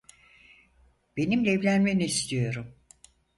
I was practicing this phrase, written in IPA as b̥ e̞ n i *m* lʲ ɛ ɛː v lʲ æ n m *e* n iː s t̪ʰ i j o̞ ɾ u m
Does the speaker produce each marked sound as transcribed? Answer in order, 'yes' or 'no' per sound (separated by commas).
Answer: yes, yes